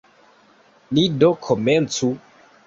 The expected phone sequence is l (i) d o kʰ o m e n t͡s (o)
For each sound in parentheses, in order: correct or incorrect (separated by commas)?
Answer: correct, incorrect